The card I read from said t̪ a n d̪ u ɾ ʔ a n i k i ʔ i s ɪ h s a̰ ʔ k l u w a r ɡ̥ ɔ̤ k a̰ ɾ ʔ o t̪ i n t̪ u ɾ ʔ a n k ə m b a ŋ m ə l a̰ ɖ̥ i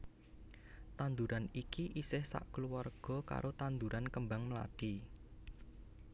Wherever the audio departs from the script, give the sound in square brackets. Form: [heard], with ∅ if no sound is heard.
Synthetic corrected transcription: t̪ a n d̪ u ɾ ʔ a n i k i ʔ i s ɪ h s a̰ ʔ k l u w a r ɡ̥ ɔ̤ k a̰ ɾ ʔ o t̪ [a] n [d̪] u ɾ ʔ a n k ə m b a ŋ m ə l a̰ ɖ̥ i

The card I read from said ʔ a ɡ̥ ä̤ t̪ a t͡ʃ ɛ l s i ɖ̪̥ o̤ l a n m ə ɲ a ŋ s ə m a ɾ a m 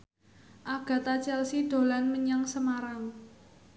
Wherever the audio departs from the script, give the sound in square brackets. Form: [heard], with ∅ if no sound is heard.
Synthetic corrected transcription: ʔ a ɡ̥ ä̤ t̪ a t͡ʃ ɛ l s i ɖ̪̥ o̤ l a n m ə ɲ a ŋ s ə m a ɾ a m

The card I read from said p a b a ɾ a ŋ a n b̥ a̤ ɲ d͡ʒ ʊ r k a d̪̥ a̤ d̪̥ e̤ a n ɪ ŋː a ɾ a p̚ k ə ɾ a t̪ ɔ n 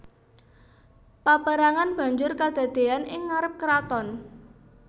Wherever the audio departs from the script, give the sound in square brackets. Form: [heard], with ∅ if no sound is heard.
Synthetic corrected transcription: p a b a ɾ a ŋ a n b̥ a̤ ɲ d͡ʒ ʊ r k a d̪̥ a̤ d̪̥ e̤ a n ɪ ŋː a ɾ [ə] p̚ k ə ɾ a t̪ ɔ n

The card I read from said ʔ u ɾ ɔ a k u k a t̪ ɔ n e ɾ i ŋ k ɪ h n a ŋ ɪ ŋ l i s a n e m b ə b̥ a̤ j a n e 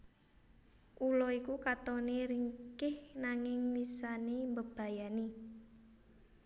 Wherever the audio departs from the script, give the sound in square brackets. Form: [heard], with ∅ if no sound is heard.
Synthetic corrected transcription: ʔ u [l] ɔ [i] k u k a t̪ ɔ n e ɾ i ŋ k ɪ h n a ŋ ɪ ŋ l i s a n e m b ə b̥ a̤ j a n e

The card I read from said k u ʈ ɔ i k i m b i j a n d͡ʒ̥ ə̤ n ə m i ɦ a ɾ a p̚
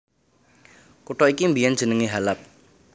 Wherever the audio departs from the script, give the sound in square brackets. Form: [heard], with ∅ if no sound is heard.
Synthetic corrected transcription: k u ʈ ɔ i k i m b i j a n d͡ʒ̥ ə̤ n ə [ŋ] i ɦ a [l] a p̚

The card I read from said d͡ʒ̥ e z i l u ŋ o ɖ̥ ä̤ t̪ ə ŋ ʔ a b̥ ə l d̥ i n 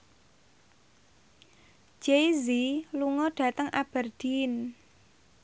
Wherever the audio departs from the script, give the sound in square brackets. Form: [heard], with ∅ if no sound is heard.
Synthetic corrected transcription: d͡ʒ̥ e z i l u ŋ [ɔ] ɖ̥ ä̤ t̪ ə ŋ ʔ a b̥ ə [r] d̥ i n

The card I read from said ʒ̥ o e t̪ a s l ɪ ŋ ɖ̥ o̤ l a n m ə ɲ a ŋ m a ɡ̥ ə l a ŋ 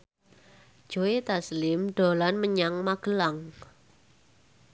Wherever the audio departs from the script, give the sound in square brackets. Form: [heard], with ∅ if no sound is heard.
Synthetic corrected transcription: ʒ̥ o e t̪ a s l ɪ [m] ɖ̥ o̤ l a n m ə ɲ a ŋ m a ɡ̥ ə l a ŋ

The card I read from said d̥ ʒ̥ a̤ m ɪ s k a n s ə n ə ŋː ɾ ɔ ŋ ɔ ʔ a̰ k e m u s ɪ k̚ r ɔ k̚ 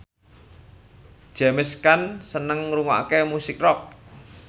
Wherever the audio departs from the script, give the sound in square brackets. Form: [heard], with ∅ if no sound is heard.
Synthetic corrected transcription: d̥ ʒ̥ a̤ m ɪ s k a n s ə n ə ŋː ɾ [u] ŋ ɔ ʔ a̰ k e m u s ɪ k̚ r ɔ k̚

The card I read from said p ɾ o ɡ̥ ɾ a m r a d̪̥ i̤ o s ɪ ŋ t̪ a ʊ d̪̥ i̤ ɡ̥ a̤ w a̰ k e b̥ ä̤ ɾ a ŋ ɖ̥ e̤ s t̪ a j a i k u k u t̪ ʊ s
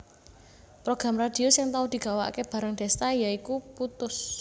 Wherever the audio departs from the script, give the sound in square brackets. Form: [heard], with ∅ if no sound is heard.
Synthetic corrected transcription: p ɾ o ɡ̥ ɾ a m r a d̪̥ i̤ o s ɪ ŋ t̪ a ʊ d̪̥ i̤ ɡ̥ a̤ w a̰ k e b̥ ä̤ ɾ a ŋ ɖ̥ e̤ s t̪ a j a i k u [p] u t̪ ʊ s

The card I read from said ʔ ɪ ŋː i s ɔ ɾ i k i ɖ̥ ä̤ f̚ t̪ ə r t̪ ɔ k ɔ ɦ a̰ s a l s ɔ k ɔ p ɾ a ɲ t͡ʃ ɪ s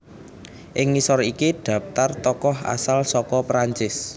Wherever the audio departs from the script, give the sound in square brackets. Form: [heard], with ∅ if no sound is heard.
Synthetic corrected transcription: ʔ ɪ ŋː i s ɔ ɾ i k i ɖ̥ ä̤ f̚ t̪ [a] r t̪ ɔ k ɔ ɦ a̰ s a l s ɔ k ɔ p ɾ a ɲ t͡ʃ ɪ s

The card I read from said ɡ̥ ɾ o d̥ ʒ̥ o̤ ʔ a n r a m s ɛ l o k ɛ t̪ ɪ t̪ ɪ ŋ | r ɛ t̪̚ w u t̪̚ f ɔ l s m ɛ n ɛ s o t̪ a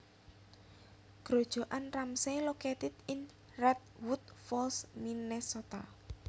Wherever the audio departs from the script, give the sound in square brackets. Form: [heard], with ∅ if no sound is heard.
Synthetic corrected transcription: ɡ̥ ɾ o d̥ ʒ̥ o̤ ʔ a n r a m s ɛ l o k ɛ t̪ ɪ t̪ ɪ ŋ | r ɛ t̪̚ w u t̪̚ f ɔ l s m [i] n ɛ s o t̪ a

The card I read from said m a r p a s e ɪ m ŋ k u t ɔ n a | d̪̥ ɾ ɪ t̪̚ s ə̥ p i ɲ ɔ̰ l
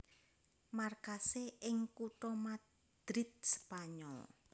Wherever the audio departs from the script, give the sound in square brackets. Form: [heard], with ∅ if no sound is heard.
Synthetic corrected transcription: m a r [k] a s e ɪ [∅] ŋ k u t ɔ [m] a | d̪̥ ɾ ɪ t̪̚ s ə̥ p [a] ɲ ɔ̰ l

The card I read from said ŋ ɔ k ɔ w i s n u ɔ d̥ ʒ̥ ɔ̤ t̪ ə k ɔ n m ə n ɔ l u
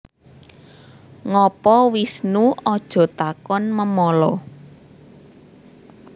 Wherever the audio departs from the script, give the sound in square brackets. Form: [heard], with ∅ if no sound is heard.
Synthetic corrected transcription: ŋ ɔ [p] ɔ w i s n u ɔ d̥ ʒ̥ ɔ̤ t̪ [a] k ɔ n m ə [m] ɔ l [ɔ]

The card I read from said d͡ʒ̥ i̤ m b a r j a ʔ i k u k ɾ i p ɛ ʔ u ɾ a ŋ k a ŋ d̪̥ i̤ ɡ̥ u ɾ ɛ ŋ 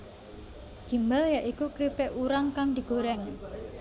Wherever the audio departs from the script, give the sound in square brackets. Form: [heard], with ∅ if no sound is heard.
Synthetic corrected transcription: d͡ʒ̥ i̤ m b a [l] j a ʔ i k u k ɾ i p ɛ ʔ u ɾ a ŋ k a ŋ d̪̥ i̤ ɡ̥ [o] ɾ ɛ ŋ

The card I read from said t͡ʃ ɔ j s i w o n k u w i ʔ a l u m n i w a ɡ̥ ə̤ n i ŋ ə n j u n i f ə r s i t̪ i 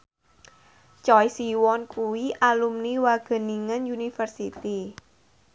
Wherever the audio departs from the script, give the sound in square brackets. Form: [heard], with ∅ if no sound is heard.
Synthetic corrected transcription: t͡ʃ ɔ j s i w [ɔ] n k u w i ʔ a l u m n i w a ɡ̥ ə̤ n i ŋ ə n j u n i f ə r s i t̪ i

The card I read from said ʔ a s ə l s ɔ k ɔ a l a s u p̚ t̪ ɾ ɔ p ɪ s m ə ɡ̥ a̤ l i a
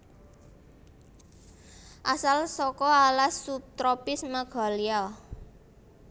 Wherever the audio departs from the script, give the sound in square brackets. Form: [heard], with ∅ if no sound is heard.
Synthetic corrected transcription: ʔ a s [a] l s ɔ k ɔ a l a s u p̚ t̪ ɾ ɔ p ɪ s m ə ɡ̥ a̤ l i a

